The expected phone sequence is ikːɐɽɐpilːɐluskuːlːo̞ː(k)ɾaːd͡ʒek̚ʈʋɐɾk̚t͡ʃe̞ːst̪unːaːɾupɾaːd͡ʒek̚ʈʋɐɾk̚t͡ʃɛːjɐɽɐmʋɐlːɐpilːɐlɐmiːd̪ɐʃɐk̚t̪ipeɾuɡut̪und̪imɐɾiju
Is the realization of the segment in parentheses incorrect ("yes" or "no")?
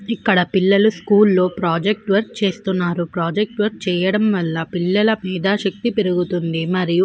yes